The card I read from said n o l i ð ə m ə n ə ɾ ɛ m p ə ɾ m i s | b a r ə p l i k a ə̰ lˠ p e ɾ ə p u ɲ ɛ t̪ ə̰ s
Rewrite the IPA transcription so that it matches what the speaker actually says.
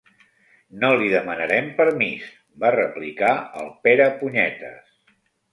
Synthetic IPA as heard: n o l i ð ə m ə n ə ɾ ɛ m p ə ɾ m i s | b a r ə p l i k a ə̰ lˠ p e ɾ ə p u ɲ ɛ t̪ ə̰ s